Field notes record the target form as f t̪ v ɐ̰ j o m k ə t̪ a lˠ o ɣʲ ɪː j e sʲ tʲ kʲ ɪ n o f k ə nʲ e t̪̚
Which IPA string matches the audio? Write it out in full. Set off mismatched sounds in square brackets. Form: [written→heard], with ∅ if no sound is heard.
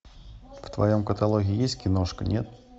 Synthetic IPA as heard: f t̪ v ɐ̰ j o m k ə t̪ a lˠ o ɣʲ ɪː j e sʲ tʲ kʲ ɪ n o [f→ʂ] k ə nʲ e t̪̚